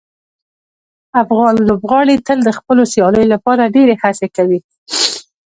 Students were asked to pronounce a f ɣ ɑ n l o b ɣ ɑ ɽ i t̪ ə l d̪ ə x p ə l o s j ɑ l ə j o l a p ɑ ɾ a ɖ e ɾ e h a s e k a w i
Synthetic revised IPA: a f ɣ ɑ n l o b ɣ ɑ ɽ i t̪ ə l d̪ ə x p ə l o s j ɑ l ə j o l a p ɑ ɾ a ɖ e ɾ e h a s e k a w i